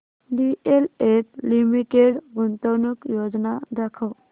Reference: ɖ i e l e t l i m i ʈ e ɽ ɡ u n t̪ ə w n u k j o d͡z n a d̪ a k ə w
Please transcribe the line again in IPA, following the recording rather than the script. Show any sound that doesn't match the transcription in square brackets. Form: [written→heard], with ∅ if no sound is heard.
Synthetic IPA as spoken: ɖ i e l e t l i m i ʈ e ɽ ɡ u n t̪ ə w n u k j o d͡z n a d̪ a [k→kʰ] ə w